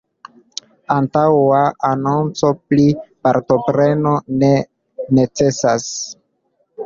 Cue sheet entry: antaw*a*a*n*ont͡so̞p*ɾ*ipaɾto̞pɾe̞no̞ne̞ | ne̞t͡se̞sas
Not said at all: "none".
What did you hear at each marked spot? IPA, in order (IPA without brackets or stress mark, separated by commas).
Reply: a, n, l